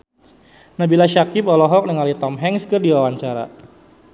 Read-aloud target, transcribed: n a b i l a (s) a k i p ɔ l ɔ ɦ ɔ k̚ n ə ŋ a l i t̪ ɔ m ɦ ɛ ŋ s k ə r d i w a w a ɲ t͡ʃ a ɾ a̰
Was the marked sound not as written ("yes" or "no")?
yes